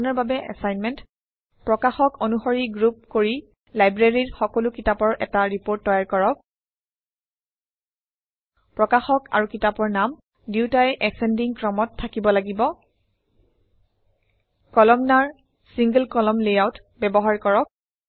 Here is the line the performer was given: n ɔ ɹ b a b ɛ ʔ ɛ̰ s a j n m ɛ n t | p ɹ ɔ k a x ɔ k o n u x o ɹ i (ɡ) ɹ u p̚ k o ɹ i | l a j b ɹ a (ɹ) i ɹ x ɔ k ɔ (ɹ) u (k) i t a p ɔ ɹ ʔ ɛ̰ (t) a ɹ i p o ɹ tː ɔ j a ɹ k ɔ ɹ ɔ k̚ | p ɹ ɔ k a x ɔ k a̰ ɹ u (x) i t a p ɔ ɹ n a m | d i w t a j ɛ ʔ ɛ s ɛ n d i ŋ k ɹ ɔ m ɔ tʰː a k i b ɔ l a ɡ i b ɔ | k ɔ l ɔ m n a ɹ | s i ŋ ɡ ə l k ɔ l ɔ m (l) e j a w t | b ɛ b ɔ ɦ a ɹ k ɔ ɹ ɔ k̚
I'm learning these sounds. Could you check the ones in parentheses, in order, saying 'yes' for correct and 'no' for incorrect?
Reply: yes, yes, no, yes, yes, no, yes

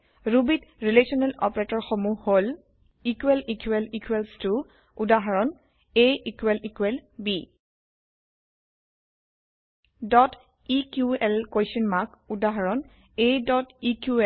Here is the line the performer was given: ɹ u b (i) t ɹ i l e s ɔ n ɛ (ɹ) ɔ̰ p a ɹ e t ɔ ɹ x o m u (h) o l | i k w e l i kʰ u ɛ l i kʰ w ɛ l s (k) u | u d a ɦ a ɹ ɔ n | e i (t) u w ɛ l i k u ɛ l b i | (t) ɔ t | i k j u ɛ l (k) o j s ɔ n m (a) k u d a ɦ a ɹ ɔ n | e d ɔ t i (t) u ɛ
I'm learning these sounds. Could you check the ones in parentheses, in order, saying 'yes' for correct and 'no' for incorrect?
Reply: yes, no, yes, no, no, no, yes, yes, no

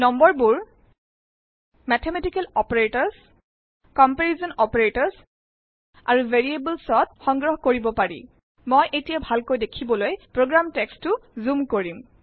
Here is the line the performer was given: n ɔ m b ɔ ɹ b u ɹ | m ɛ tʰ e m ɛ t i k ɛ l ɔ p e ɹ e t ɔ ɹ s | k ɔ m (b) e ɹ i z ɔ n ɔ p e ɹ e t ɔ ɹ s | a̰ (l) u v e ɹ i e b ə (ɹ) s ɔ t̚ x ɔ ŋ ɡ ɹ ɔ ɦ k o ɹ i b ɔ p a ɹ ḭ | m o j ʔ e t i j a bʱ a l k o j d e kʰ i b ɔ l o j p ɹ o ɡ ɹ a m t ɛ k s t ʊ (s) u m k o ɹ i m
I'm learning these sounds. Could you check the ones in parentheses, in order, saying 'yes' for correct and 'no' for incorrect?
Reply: no, no, no, no

